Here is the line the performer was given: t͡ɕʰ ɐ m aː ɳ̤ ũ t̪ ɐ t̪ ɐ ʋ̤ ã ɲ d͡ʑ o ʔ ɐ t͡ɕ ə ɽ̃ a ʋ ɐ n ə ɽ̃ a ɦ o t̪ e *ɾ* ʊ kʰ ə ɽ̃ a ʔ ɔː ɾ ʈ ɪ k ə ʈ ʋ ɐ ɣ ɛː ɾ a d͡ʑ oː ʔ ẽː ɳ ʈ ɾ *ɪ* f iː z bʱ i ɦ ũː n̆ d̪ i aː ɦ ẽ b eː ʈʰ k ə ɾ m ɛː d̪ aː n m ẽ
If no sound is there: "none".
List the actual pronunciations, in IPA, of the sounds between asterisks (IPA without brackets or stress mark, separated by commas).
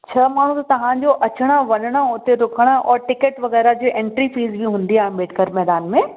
ɾ, i